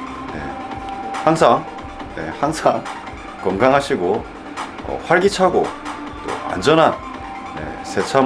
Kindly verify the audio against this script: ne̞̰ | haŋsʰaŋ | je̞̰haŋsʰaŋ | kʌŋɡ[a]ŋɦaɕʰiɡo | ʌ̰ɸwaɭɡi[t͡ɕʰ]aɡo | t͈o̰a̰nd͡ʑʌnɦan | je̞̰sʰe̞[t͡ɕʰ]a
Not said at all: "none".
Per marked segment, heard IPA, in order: a, t͡ɕʰ, t͡ɕʰ

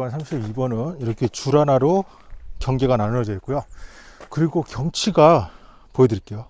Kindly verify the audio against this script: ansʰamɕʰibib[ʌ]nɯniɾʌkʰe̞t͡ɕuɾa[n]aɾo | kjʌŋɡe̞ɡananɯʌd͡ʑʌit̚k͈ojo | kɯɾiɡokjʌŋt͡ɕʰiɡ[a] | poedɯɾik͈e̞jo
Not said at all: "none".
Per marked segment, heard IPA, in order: ʌ, n, a

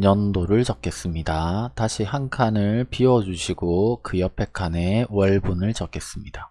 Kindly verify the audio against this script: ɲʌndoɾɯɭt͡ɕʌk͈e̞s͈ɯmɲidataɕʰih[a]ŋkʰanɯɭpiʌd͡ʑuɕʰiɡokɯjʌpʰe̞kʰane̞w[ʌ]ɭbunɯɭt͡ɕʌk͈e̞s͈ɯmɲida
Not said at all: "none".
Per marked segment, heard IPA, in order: a, ʌ

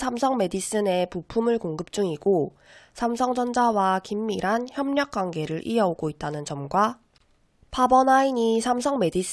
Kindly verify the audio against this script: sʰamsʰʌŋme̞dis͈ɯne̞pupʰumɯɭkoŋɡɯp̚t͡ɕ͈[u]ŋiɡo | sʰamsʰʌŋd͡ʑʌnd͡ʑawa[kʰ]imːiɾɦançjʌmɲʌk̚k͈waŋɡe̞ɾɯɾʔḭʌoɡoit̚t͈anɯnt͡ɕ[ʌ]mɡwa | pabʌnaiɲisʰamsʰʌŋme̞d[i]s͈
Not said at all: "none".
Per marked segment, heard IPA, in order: u, k, ʌ, i

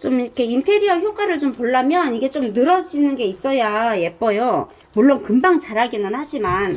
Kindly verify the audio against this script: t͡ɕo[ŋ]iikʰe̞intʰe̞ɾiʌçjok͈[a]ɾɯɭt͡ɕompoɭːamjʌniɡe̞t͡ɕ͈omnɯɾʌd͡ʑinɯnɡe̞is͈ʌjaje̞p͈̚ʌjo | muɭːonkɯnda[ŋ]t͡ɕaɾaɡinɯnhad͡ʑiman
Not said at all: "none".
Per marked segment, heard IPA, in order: m, a, ŋ

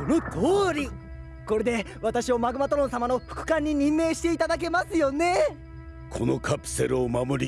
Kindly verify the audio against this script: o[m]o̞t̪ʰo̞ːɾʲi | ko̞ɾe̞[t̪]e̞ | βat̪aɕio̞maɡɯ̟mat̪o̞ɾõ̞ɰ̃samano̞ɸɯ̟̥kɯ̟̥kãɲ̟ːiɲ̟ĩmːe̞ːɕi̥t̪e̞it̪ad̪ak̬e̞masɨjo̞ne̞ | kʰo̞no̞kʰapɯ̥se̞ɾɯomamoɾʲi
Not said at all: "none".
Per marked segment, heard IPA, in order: n, d̪

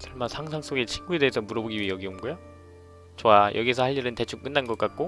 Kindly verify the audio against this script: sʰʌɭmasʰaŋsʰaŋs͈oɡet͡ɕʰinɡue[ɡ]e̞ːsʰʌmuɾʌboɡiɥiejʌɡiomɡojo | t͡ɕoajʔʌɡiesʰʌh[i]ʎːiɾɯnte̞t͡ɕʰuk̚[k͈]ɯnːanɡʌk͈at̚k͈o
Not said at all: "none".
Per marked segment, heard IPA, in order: d, a, k͈

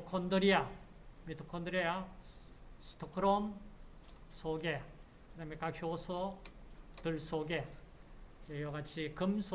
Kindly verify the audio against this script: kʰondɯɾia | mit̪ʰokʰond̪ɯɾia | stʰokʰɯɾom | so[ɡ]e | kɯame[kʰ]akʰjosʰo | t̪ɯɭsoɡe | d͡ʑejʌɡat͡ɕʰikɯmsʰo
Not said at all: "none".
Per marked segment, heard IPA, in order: ɡ, k

